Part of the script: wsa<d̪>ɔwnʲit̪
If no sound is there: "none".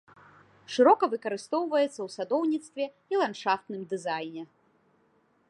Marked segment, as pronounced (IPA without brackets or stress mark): d̪